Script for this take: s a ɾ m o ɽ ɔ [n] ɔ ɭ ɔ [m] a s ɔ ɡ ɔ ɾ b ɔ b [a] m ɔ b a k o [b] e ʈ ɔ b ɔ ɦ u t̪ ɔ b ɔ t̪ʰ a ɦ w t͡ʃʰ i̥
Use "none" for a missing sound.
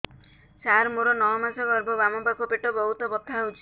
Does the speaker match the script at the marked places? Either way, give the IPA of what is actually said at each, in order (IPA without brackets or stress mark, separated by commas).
n, m, a, p